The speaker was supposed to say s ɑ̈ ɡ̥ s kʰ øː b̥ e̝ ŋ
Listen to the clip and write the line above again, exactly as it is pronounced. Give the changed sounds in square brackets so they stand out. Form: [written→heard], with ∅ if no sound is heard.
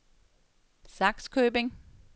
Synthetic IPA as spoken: s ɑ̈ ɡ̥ s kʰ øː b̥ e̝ ŋ

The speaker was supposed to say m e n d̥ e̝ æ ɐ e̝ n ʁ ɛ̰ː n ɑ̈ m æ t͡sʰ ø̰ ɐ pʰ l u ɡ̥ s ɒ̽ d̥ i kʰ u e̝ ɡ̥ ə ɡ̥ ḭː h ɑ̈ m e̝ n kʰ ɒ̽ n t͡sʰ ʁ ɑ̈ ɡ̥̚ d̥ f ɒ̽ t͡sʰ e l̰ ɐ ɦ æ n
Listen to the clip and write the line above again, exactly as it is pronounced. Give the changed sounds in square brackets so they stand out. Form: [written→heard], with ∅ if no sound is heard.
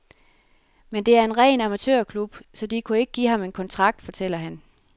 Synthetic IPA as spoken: m e n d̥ e̝ æ ɐ e̝ n ʁ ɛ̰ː n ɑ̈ m æ t͡sʰ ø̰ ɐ [pʰ→kʰ] l u [ɡ̥→b̥] s ɒ̽ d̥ i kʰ u e̝ ɡ̥ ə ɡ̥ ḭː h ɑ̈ m e̝ n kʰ ɒ̽ n t͡sʰ ʁ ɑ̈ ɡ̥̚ d̥ f ɒ̽ t͡sʰ e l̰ ɐ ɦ æ n

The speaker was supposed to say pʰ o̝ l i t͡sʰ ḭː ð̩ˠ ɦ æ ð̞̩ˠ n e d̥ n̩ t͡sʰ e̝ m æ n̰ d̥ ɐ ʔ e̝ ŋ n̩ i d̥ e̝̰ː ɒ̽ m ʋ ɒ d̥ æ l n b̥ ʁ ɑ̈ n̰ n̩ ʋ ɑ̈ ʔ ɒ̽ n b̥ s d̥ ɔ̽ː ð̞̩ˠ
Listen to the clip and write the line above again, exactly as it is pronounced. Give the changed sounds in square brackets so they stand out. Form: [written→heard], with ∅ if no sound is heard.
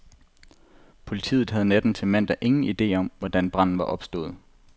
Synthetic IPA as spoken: pʰ o̝ l i t͡sʰ ḭː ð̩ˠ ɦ æ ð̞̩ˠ n e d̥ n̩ t͡sʰ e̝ m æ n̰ d̥ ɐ ʔ e̝ ŋ n̩ i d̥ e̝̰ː ɒ̽ m ʋ ɒ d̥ æ [l→∅] n b̥ ʁ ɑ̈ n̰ n̩ ʋ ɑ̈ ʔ ɒ̽ [n→∅] b̥ s d̥ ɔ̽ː ð̞̩ˠ

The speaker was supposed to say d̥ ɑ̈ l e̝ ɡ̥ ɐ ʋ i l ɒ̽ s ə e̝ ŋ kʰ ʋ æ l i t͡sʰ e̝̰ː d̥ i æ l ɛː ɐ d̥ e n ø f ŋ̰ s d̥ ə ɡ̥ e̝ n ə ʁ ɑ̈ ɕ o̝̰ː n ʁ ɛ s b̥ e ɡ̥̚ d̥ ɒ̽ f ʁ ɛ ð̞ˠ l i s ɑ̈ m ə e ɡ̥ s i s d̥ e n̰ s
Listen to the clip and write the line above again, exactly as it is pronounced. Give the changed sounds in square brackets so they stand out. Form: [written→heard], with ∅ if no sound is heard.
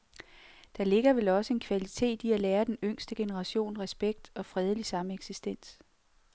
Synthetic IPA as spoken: d̥ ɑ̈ l e̝ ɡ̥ ɐ ʋ [i→e] l ɒ̽ s ə e̝ [ŋ→n] kʰ ʋ æ l i t͡sʰ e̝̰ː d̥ i æ l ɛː ɐ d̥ e n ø [f→∅] ŋ̰ s d̥ ə ɡ̥ e̝ n ə ʁ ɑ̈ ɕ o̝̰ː n ʁ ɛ s b̥ e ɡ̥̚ d̥ ɒ̽ f ʁ ɛ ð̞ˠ l i s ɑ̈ m ə e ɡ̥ s i s d̥ e n̰ s

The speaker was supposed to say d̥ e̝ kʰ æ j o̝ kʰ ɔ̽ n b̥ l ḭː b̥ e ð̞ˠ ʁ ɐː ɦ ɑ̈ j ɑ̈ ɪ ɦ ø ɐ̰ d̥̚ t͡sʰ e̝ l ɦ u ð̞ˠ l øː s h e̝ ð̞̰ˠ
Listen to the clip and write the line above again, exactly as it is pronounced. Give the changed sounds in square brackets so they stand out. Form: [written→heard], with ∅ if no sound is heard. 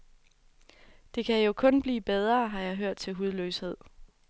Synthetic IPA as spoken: d̥ e̝ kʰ æ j o̝ kʰ ɔ̽ n b̥ l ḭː b̥ e ð̞ˠ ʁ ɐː ɦ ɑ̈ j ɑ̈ ɪ ɦ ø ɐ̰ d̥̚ t͡sʰ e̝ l ɦ u ð̞ˠ l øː s h e̝ ð̞̰ˠ

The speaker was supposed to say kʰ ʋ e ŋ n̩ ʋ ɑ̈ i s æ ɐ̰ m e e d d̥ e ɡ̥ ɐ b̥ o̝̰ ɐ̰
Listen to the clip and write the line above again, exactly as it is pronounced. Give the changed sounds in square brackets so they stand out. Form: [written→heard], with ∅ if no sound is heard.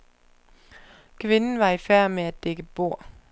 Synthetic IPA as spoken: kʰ ʋ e [ŋ→n] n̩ ʋ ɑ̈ i [s→f] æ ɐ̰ m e [e→æ] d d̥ e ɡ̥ [ɐ→ə] b̥ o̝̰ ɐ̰

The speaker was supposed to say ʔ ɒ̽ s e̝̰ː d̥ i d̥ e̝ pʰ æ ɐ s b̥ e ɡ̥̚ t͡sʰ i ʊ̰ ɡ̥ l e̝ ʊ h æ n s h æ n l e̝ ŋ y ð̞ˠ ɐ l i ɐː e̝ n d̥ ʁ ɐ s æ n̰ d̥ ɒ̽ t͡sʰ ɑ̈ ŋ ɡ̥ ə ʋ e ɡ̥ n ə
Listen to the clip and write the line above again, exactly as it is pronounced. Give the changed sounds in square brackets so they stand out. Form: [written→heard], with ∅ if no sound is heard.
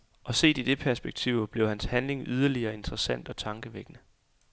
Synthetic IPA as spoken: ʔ ɒ̽ s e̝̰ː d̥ i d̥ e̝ pʰ æ ɐ s b̥ e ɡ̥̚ t͡sʰ i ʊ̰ [ɡ̥→b̥] l e̝ ʊ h æ n s h æ n l e̝ ŋ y ð̞ˠ ɐ l i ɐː e̝ n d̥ ʁ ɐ s æ n̰ d̥ ɒ̽ t͡sʰ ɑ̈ ŋ ɡ̥ ə ʋ e ɡ̥ n ə

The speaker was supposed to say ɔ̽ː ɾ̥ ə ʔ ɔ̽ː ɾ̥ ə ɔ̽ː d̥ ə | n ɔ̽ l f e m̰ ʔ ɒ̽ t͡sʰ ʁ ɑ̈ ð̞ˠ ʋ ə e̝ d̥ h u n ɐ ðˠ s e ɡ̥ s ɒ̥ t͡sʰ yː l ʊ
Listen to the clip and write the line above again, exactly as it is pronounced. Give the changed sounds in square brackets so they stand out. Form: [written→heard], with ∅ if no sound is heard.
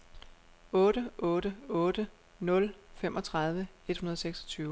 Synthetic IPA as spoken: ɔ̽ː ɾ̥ ə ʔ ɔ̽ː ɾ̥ ə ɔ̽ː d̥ ə | n ɔ̽ l f e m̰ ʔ ɒ̽ t͡sʰ ʁ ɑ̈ ð̞ˠ ʋ ə e̝ d̥ h u n ɐ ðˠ s e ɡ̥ s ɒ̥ t͡sʰ yː [l→∅] ʊ

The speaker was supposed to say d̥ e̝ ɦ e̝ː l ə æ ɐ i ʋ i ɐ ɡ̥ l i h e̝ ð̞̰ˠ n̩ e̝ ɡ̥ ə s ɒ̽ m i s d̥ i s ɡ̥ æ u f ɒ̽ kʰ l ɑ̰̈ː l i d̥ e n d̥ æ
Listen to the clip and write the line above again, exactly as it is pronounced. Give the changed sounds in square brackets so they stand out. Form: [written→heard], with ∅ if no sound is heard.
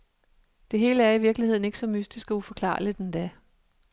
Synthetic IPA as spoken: d̥ e̝ ɦ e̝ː l ə æ ɐ i ʋ i ɐ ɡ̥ l i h e̝ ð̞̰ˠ n̩ e̝ ɡ̥ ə s ɒ̽ m [i→y] s d̥ i s ɡ̥ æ u f ɒ̽ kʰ l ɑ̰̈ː l i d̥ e n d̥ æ

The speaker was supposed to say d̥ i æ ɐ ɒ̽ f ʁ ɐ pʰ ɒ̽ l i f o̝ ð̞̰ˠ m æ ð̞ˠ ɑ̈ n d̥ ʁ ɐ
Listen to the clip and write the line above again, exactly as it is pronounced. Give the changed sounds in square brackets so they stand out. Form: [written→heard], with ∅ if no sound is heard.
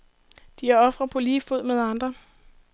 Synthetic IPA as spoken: d̥ i æ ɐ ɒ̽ f ʁ ɐ pʰ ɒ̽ l [i→iː] f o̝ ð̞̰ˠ m [æ→e] ð̞ˠ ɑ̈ n d̥ ʁ ɐ

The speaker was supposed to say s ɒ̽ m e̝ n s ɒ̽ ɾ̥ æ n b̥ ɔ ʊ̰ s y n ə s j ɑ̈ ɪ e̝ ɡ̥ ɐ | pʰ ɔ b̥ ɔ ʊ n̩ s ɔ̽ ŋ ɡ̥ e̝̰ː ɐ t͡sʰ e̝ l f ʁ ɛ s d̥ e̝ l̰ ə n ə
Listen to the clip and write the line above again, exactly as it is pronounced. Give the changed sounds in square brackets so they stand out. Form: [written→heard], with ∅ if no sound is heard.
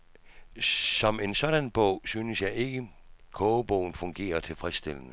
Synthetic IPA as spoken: s ɒ̽ m e̝ n s ɒ̽ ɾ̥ æ n b̥ ɔ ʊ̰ s y n ə s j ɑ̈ ɪ e̝ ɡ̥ [ɐ→ə] | [pʰ→kʰ] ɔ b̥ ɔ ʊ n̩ [s→f] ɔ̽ ŋ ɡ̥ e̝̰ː ɐ t͡sʰ e̝ l f ʁ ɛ s d̥ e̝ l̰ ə n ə

